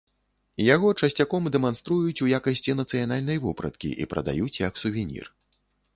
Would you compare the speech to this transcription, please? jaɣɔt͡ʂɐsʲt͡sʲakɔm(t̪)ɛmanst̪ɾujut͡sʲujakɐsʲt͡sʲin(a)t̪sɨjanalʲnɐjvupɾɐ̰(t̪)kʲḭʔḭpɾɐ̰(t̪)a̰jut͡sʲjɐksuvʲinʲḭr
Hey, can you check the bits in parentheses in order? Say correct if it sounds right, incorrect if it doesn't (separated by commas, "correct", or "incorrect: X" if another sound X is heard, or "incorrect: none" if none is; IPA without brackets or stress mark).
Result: incorrect: d̪, incorrect: ɐ, correct, incorrect: d̪